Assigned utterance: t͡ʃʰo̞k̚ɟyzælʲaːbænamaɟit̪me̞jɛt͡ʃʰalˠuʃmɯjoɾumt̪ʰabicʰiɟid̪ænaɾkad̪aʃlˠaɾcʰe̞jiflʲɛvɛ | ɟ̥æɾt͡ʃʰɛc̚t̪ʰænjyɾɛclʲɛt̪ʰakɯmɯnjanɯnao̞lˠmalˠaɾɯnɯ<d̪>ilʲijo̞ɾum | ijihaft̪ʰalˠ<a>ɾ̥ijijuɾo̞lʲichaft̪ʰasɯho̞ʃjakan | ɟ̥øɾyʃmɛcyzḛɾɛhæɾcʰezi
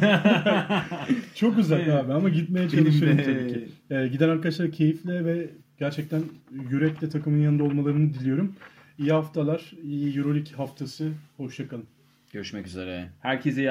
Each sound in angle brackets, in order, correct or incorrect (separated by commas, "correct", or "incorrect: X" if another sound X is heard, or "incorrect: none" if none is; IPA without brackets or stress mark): correct, correct